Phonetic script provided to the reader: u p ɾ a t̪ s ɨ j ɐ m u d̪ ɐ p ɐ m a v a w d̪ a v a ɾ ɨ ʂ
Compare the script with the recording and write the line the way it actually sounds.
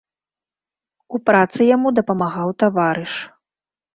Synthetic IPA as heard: u p ɾ a t̪ s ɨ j a m u d̪ ɐ p ɐ m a ɣ a w t̪ a v a ɾ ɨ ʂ

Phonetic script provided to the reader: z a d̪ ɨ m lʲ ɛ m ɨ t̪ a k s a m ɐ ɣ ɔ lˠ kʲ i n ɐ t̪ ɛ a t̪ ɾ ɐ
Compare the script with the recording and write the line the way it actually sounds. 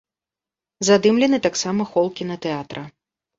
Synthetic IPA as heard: z a d̪ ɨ m lʲ ɛ n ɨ t̪ a k s a m ɐ x ɔ lˠ kʲ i n ɐ t̪ ɛ a t̪ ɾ ɐ

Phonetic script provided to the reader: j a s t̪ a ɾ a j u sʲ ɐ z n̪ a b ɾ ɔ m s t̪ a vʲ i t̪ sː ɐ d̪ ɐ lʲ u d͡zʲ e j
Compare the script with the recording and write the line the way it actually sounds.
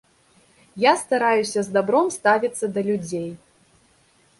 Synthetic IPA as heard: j a s t̪ a ɾ a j u sʲ ɐ z d̪ a b ɾ ɔ m s t̪ a vʲ i t̪ sː ɐ d̪ ɐ lʲ u d͡zʲ e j

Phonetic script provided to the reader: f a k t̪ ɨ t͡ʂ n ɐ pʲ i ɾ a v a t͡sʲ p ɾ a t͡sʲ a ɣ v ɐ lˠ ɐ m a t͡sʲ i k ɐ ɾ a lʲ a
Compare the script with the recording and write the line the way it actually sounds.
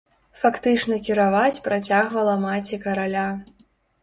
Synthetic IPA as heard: f a k t̪ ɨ t͡ʂ n ɐ kʲ i ɾ a v a t͡sʲ p ɾ a t͡sʲ a ɣ v ɐ lˠ ɐ m a t͡sʲ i k ɐ ɾ a lʲ a

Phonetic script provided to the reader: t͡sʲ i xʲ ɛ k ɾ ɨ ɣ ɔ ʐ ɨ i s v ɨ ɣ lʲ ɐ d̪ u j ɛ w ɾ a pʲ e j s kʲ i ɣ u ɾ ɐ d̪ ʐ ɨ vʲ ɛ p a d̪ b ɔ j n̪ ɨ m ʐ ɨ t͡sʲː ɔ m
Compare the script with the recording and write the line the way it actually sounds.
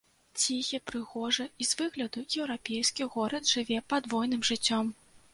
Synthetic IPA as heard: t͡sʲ i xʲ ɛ p ɾ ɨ ɣ ɔ ʐ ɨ i z v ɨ ɣ lʲ ɐ d̪ u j ɛ w ɾ a pʲ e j s kʲ i ɣ ɔ ɾ ɐ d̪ ʐ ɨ vʲ ɛ p a d̪ v ɔ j n̪ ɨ m ʐ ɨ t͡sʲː ɔ m

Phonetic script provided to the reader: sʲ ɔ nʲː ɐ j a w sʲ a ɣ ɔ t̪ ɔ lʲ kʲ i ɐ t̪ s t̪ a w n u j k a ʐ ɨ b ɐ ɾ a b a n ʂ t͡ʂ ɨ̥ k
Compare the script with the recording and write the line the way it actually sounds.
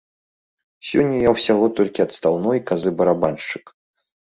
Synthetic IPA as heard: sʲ ɔ nʲː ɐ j a w sʲ a ɣ ɔ t̪ ɔ lʲ kʲ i ɐ t̪ s t̪ a w n ɔ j k a z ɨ b ɐ ɾ a b a n ʂ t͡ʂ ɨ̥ k

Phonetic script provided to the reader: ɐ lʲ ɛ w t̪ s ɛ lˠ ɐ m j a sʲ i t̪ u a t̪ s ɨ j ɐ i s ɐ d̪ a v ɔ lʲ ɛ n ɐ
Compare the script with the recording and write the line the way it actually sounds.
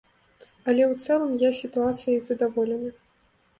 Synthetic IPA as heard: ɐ lʲ ɛ w t̪ s ɛ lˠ ɐ m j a sʲ i t̪ u a t̪ s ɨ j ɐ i z ɐ d̪ a v ɔ lʲ ɛ n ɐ

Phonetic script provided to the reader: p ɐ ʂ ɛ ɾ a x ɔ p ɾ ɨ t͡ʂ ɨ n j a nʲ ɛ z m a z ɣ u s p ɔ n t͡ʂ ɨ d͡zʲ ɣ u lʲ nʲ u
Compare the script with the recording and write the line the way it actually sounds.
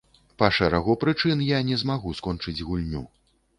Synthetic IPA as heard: p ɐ ʂ ɛ ɾ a ɣ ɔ p ɾ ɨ t͡ʂ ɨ n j a nʲ ɛ z m a ɣ u s k ɔ n t͡ʂ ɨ d͡zʲ ɣ u lʲ nʲ u

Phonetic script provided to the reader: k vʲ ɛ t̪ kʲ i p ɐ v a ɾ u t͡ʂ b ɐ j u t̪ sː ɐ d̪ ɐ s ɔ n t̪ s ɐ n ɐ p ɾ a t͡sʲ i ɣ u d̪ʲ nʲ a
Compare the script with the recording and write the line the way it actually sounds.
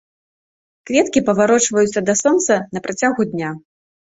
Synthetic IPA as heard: k vʲ ɛ t̪ kʲ i p ɐ v a ɾ ɔ t͡ʂ v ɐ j u t̪ sː ɐ d̪ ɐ s ɔ n t̪ s ɐ n ɐ p ɾ a t͡sʲ a ɣ u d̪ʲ nʲ a

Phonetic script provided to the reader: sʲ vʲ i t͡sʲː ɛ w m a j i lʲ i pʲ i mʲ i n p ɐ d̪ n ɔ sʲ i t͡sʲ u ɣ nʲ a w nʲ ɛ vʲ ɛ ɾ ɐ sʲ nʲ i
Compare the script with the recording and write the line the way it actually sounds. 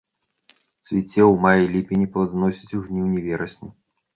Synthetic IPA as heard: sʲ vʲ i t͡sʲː ɛ w m a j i lʲ i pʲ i nʲ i p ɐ d̪ n ɔ sʲ i t͡sʲ u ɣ nʲ i w nʲ ɛ vʲ ɛ ɾ ɐ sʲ nʲ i

